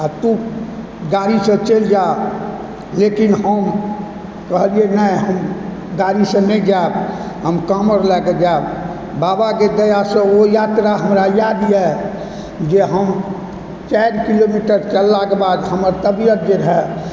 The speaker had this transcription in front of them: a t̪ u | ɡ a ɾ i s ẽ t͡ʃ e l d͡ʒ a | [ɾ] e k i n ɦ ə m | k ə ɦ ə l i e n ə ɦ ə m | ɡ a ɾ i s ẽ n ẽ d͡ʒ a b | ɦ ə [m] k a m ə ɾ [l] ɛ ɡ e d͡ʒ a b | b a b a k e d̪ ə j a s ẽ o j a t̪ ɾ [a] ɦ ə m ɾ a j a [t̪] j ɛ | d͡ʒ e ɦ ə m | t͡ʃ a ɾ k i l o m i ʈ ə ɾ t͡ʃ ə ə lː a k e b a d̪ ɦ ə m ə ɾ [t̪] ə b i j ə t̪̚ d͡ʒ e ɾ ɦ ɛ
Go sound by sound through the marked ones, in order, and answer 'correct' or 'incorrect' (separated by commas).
incorrect, correct, correct, correct, incorrect, correct